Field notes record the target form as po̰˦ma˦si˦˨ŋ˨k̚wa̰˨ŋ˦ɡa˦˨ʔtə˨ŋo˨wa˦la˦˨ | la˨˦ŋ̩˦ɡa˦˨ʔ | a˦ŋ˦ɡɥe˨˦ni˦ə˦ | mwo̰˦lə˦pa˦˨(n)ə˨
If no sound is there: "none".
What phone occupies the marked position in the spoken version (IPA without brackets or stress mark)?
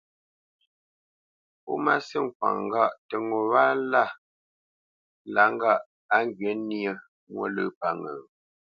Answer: ŋ